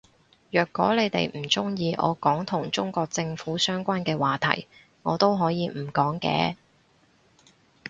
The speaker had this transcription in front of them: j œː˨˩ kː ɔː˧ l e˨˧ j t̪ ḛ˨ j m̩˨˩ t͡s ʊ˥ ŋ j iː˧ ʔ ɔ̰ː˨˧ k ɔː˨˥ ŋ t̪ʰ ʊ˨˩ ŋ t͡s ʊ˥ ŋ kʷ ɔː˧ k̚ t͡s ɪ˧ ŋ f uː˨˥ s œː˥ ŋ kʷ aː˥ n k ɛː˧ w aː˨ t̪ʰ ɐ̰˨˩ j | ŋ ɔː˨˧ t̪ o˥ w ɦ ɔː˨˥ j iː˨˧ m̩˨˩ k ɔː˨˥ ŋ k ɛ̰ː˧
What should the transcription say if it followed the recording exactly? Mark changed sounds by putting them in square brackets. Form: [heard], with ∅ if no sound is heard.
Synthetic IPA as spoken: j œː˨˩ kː [ɔː˨˥] l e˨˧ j t̪ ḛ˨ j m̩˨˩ t͡s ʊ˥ ŋ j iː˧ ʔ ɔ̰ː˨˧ k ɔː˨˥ ŋ t̪ʰ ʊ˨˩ ŋ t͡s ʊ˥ ŋ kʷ ɔː˧ k̚ t͡s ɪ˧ ŋ f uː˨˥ s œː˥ ŋ kʷ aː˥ n k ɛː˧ w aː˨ t̪ʰ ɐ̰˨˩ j | ŋ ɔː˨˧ t̪ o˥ w ɦ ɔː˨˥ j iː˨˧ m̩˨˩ k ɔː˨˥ ŋ k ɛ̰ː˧